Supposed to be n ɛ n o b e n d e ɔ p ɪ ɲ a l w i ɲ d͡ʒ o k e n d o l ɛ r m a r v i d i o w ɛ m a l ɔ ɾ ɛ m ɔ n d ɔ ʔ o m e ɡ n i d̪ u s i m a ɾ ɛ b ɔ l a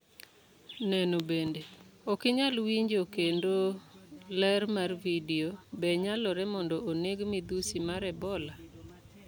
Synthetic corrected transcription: n ɛ n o b e n d e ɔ k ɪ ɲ a l w i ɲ d͡ʒ o k e n d o l ɛ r m a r v i d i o b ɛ ɲ a l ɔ ɾ ɛ m ɔ n d ɔ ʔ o n e ɡ m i d̪ u s i m a ɾ ɛ b ɔ l a

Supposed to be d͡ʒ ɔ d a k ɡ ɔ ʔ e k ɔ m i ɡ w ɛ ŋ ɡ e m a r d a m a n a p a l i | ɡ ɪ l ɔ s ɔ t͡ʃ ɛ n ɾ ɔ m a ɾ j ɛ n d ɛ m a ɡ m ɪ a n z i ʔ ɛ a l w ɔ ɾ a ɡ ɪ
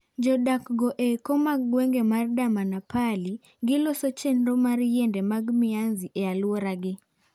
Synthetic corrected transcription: d͡ʒ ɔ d a k ɡ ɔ ʔ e k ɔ m a ɡ w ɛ ŋ ɡ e m a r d a m a n a p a l i | ɡ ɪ l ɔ s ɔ t͡ʃ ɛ n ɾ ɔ m a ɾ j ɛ n d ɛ m a ɡ m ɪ a n z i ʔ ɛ a l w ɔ ɾ a ɡ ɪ

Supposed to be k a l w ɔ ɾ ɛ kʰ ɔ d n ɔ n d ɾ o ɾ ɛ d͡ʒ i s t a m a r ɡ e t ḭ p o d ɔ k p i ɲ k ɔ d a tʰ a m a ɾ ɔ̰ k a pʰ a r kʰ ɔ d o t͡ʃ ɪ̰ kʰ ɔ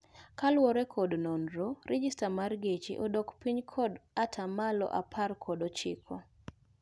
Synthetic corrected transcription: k a l w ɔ ɾ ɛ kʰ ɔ d n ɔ n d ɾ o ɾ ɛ d͡ʒ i s t a m a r ɡ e t͡ʃ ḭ ʔ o d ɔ k p i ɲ kʰ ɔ d a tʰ a m a l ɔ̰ ʔ a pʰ a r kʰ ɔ d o t͡ʃ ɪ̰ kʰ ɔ

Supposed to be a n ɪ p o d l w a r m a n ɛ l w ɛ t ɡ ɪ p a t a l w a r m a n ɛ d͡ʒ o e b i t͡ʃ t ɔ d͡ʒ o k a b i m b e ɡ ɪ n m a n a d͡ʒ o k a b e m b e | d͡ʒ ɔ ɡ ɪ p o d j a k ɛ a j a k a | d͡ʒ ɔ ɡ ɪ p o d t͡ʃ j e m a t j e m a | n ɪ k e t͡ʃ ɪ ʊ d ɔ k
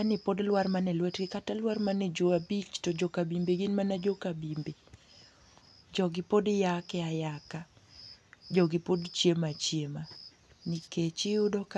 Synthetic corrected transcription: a n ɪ p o d l w a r m a n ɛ l w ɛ t ɡ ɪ k a t a l w a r m a n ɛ d͡ʒ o a b i t͡ʃ t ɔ d͡ʒ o k a b i m b e ɡ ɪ n m a n a d͡ʒ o k a b i m b e | d͡ʒ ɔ ɡ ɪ p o d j a k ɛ a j a k a | d͡ʒ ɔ ɡ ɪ p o d t͡ʃ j e m a t͡ʃ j e m a | n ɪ k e t͡ʃ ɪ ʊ d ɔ k

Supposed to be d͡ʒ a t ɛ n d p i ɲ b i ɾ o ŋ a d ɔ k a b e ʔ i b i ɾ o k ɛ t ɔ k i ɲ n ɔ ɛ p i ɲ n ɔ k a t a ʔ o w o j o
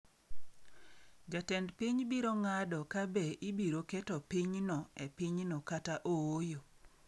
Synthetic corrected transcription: d͡ʒ a t ɛ n d p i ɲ b i ɾ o ŋ a d ɔ k a b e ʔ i b i ɾ o k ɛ t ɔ p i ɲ n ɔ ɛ p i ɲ n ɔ k a t a ʔ o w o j o

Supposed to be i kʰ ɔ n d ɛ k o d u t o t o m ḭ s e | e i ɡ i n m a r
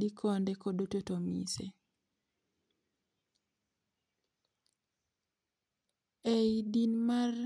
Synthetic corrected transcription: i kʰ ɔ n d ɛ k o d o t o t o m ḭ s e | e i d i n m a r

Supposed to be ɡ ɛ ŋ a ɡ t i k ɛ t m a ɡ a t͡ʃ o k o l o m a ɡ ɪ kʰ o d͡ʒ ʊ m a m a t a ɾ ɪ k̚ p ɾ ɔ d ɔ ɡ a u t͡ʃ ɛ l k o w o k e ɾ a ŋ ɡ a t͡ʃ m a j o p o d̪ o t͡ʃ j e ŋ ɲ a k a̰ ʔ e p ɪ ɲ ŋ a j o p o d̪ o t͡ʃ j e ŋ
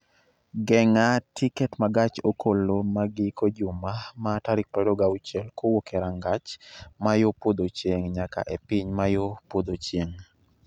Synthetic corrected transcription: ɡ ɛ ŋ a t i k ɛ t m a ɡ a t͡ʃ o k o l o m a ɡ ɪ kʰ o d͡ʒ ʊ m a m a t a ɾ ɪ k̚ p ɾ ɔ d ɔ ɡ a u t͡ʃ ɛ l k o w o k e ɾ a ŋ ɡ a t͡ʃ m a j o p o d̪ o t͡ʃ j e ŋ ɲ a k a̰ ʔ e p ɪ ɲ m a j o p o d̪ o t͡ʃ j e ŋ

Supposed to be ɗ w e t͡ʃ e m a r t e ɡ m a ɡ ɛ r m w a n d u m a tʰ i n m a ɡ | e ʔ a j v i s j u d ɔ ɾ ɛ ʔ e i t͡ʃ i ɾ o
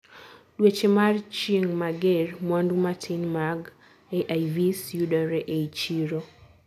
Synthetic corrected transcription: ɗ w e t͡ʃ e m a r t͡ʃ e ŋ m a ɡ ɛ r m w a n d u m a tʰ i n m a ɡ | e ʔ a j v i s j u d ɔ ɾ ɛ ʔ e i t͡ʃ i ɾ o

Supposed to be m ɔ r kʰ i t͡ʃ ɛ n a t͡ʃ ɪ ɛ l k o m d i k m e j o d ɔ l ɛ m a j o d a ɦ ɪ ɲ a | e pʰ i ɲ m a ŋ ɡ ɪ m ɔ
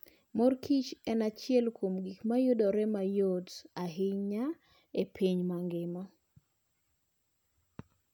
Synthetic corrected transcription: m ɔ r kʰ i t͡ʃ ɛ n a t͡ʃ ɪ ɛ l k o m ɡ i k m a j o d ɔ ɾ ɛ m a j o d a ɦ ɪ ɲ a | e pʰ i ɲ m a ŋ ɡ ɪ m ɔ

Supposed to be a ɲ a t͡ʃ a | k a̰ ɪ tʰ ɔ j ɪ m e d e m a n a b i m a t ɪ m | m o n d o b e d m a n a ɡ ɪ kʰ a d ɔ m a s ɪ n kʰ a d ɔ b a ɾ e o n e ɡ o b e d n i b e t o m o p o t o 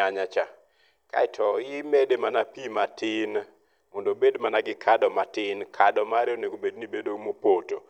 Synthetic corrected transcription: a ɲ a t͡ʃ a | k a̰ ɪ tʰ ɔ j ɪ m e d e m a n a p i m a t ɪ n | m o n d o b e d m a n a ɡ ɪ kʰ a d ɔ m a t ɪ n kʰ a d ɔ m a ɾ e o n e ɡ o b e d n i b e d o m o p o t o

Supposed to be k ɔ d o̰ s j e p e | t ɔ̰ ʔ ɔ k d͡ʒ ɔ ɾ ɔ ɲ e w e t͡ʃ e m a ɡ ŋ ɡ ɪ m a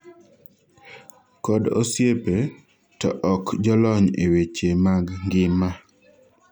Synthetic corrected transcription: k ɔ d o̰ s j e p e | t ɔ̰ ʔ ɔ k d͡ʒ ɔ l ɔ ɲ e w e t͡ʃ e m a ɡ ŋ ɡ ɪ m a

